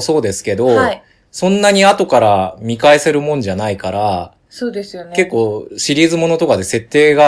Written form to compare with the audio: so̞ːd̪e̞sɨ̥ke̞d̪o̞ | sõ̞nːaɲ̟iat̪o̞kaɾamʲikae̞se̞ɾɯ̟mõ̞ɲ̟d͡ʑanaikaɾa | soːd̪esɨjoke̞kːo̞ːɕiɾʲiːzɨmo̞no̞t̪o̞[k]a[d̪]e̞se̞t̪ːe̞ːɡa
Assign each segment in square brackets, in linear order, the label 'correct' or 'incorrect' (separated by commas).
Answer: correct, correct